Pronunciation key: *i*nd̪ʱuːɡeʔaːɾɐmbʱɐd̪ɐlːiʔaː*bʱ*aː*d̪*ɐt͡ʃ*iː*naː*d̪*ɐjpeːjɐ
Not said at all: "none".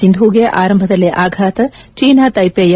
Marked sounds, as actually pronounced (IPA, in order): i, ɡʱ, t̪, iː, t̪

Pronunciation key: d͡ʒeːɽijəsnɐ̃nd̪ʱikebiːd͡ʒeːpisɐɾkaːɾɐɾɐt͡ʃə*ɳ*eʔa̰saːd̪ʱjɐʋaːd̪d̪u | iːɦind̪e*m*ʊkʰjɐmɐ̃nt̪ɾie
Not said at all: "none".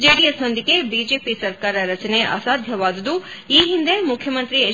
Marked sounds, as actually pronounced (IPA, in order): n, m

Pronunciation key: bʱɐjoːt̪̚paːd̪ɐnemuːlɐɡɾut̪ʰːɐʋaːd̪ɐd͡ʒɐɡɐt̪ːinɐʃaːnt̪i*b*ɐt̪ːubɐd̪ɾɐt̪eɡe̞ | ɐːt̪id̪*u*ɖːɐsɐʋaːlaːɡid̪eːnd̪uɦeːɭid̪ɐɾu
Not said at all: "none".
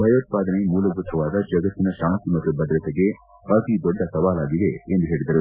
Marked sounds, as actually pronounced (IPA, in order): m, ɔ

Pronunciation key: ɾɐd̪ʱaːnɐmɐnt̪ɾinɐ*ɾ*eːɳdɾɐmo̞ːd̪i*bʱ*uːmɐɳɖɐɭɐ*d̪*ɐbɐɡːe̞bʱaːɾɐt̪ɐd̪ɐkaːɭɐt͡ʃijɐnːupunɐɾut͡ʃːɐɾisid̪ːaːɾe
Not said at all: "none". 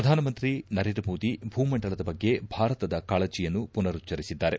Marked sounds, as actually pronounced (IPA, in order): ɾ, bʱ, d̪

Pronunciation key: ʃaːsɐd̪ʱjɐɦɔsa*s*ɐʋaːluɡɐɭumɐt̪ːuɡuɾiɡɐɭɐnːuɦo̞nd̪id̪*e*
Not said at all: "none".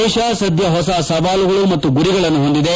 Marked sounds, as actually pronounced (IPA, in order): s, e

